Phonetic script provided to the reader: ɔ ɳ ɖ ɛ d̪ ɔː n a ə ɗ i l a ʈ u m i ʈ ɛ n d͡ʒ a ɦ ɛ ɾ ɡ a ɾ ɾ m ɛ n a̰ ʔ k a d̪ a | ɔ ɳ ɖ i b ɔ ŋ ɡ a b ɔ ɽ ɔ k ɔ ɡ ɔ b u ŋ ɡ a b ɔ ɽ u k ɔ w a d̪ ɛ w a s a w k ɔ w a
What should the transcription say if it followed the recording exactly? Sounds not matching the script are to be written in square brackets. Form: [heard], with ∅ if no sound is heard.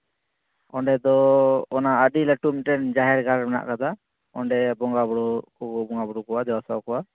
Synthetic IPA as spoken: ɔ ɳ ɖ ɛ d̪ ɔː n a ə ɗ i l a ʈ u m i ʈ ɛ n d͡ʒ a ɦ ɛ ɾ ɡ a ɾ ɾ m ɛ n a̰ ʔ k a d̪ a | ɔ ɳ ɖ [ɛ] b ɔ ŋ ɡ a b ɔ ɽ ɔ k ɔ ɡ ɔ b [ɔ] ŋ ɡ a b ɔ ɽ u k ɔ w a d̪ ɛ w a s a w k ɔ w a